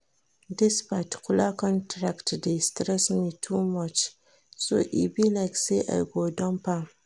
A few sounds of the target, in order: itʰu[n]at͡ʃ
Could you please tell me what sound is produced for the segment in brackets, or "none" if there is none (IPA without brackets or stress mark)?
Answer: m